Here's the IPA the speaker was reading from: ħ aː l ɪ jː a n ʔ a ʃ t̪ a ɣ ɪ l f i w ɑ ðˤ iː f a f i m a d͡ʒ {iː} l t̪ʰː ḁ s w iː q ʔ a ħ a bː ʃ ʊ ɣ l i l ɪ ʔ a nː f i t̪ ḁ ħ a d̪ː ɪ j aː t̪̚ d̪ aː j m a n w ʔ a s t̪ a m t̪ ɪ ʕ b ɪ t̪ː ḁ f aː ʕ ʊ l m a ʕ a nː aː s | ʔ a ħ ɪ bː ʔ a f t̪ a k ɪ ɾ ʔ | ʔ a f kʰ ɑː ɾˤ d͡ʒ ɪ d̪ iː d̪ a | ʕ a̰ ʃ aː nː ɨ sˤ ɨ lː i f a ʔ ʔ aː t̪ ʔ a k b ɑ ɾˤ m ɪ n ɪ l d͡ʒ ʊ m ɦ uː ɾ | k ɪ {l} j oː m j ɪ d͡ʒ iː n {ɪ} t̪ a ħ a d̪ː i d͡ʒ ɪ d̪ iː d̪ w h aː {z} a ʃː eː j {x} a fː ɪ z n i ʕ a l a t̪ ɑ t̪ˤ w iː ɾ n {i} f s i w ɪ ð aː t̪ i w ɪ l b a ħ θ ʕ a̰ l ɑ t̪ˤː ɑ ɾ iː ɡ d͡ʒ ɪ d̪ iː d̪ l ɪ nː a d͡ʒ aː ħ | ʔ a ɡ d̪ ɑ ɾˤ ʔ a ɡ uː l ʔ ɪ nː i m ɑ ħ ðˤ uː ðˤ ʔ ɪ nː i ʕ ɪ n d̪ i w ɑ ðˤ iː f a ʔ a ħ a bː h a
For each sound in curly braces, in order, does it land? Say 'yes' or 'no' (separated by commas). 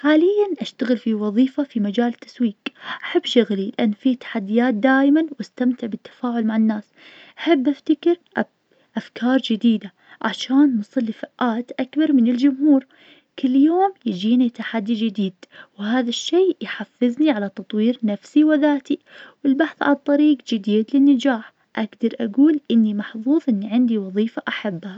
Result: no, no, no, no, no, no